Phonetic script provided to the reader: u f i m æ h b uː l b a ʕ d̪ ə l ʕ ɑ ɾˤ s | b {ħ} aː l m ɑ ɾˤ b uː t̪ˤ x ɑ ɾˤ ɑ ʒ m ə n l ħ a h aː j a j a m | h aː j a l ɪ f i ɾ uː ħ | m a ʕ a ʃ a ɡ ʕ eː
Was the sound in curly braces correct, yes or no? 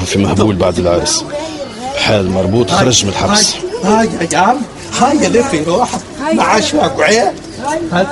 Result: yes